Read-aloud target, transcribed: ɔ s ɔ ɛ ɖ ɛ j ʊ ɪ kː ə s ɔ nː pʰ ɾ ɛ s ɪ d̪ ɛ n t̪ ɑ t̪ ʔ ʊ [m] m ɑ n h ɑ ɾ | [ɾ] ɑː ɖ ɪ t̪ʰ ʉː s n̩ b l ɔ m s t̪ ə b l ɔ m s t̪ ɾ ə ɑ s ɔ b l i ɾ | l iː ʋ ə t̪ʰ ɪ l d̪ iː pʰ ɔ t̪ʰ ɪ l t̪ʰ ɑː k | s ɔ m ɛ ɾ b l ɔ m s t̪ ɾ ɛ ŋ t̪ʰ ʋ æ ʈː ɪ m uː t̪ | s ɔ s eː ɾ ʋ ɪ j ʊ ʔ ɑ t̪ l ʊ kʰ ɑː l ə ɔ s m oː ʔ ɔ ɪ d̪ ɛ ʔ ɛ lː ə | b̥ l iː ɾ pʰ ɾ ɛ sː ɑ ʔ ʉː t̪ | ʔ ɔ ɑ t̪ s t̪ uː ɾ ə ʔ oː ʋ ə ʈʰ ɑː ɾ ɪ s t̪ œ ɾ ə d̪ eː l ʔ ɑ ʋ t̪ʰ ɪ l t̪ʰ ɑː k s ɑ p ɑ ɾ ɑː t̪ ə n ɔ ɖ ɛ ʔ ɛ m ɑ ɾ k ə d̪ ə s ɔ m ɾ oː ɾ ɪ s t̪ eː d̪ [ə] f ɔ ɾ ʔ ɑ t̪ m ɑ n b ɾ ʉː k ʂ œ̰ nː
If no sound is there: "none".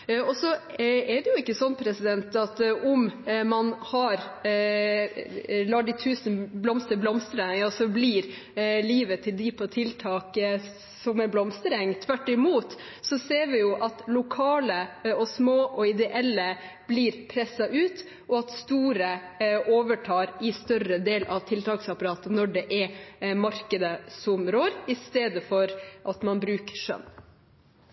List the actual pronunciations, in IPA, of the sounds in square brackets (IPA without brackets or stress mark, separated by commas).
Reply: m, l, ə